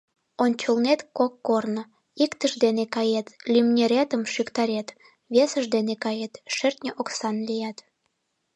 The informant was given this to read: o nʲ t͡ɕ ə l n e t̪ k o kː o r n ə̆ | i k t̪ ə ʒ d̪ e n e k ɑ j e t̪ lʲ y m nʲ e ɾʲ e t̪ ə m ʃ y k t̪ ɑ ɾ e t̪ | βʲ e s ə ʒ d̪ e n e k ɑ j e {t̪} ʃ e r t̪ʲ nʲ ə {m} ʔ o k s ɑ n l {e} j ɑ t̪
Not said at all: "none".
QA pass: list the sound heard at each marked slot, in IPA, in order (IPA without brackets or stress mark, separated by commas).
t̪, none, i